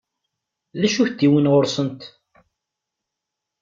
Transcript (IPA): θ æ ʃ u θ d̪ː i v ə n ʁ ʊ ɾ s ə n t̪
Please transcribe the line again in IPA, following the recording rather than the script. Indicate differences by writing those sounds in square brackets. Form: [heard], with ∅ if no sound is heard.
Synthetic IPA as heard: [ð] æ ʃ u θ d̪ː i [w] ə n ʁ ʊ ɾ s ə n t̪